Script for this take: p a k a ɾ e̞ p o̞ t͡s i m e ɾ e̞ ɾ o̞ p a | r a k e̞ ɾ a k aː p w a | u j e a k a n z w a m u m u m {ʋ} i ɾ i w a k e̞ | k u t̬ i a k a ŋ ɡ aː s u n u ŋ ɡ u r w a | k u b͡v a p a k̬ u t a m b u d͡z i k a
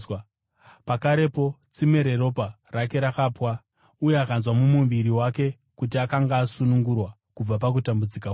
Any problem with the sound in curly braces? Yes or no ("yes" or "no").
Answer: no